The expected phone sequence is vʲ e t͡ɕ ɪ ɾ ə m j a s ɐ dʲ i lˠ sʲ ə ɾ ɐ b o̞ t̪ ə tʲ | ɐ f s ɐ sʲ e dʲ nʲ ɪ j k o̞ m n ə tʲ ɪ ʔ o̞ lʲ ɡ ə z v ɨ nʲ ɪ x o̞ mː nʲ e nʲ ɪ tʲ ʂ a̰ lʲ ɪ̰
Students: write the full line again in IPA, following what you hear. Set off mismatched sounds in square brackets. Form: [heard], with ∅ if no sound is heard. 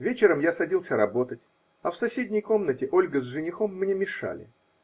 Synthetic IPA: vʲ e t͡ɕ ɪ ɾ ə m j a s ɐ dʲ i lˠ sʲ ə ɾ ɐ b o̞ t̪ ə tʲ | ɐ f s ɐ sʲ e dʲ nʲ ɪ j k o̞ m n ə tʲ ɪ ʔ o̞ lʲ ɡ ə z [ʐ] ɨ nʲ ɪ x o̞ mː nʲ e [mʲ] ɪ [∅] ʂ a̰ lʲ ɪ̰